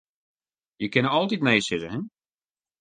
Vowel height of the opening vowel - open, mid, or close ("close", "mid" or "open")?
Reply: mid